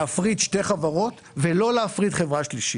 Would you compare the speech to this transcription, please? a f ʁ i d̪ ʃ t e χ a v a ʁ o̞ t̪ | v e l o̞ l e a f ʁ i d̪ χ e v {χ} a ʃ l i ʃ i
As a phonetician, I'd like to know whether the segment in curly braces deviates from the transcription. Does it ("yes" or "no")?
yes